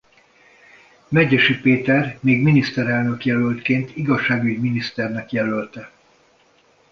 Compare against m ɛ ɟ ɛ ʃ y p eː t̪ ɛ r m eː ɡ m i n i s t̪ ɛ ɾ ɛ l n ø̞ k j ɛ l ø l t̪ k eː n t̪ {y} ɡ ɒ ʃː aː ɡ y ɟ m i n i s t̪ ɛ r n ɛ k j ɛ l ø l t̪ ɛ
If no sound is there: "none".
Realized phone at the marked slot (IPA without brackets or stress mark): i